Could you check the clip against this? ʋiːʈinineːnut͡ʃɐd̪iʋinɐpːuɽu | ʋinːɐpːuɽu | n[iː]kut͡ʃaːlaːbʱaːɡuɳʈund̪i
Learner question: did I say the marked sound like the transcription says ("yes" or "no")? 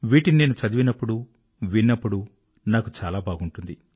no